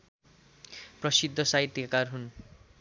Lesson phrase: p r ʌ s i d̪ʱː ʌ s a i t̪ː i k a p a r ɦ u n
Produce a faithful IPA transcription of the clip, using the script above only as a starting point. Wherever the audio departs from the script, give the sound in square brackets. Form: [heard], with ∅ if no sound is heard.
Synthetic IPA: p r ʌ s i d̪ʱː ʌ s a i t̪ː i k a [k] a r ɦ u n